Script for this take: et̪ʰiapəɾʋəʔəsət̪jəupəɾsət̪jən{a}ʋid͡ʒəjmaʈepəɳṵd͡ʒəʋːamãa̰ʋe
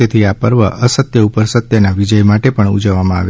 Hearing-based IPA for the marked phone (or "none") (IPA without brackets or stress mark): a